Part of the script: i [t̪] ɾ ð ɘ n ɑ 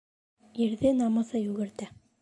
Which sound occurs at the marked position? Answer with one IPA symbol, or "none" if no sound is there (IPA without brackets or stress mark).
none